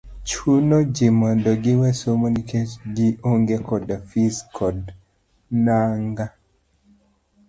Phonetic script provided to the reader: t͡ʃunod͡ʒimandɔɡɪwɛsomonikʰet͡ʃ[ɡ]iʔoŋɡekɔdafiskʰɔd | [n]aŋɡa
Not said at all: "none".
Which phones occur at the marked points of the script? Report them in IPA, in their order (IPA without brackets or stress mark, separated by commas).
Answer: ɡ, n